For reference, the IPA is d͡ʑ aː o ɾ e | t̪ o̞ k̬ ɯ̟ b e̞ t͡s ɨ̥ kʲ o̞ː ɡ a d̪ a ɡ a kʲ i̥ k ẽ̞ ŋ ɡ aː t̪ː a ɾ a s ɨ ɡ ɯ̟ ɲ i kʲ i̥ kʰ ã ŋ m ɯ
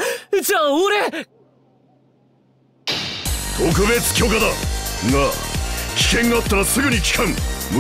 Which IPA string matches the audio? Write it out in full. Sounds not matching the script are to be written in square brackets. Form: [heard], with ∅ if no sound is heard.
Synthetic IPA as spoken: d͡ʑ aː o ɾ e | t̪ o̞ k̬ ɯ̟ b e̞ t͡s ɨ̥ kʲ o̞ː [k] a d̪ a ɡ a kʲ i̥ k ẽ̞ ŋ ɡ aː t̪ː a ɾ a s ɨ ɡ ɯ̟ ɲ i kʲ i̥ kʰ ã ŋ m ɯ